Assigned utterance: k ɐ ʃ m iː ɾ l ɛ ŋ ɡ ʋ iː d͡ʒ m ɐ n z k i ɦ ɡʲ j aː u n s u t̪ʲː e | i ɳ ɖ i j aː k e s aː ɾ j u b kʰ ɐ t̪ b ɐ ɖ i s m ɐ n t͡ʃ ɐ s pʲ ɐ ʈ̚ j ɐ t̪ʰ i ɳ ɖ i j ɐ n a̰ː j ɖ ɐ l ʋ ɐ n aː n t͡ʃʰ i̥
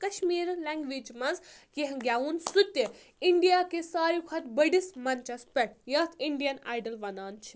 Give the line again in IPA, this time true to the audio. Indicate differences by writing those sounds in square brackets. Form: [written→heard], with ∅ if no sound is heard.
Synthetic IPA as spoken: k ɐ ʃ m iː ɾ l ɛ ŋ ɡ ʋ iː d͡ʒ m ɐ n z k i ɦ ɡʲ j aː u n s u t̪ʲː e | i ɳ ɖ i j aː k e s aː ɾ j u [b→∅] kʰ ɐ t̪ b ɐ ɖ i s m ɐ n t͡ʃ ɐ s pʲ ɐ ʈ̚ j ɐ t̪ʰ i ɳ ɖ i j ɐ n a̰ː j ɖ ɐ l ʋ ɐ n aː n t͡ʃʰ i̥